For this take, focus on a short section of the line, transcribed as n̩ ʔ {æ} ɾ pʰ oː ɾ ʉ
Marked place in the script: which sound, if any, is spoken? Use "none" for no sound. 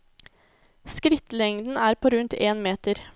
æː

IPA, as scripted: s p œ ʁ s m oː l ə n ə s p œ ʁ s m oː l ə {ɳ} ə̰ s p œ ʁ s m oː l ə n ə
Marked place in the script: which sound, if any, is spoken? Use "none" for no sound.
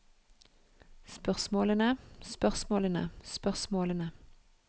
n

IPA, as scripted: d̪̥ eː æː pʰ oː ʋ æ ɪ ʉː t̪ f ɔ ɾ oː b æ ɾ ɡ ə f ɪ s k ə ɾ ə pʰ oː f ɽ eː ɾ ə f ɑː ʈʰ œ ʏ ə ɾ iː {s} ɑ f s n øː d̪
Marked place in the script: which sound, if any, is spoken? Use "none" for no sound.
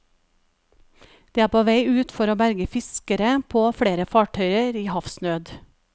h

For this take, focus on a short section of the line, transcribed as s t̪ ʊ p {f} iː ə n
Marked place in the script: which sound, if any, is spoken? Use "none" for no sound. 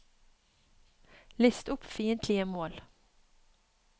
f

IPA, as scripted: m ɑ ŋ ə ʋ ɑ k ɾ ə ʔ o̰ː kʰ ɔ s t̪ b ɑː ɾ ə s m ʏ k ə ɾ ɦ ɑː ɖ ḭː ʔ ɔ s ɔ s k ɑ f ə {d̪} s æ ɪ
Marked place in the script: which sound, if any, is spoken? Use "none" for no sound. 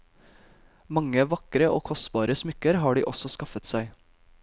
t̪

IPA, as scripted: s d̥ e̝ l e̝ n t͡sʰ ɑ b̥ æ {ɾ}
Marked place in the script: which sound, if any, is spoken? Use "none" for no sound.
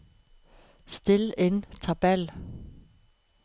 l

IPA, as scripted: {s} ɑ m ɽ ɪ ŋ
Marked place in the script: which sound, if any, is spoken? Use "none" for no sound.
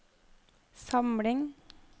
s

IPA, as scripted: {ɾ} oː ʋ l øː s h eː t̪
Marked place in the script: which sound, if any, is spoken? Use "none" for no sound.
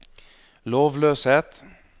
l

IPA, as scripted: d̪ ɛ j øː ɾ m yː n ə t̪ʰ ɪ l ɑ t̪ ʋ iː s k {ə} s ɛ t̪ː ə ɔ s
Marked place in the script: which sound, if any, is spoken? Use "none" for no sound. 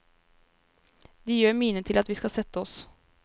ɑ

